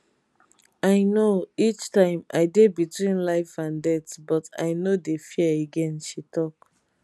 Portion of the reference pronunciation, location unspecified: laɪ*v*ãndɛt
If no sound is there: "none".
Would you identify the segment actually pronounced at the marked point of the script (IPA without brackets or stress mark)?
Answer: f